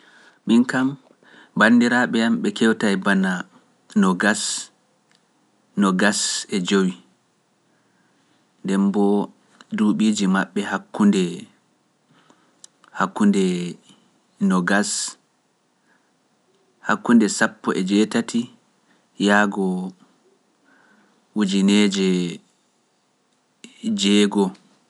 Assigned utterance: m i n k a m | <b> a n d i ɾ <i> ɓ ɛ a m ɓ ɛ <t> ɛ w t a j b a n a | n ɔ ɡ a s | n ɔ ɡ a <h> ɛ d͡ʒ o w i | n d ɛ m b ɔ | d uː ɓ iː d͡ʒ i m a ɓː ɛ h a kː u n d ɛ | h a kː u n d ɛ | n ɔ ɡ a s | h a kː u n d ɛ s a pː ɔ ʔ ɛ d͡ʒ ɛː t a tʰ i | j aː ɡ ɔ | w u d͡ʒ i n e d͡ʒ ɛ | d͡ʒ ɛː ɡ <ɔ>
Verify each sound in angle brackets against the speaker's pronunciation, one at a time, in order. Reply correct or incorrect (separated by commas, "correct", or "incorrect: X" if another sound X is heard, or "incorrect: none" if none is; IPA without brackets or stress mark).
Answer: correct, incorrect: a, incorrect: k, incorrect: s, correct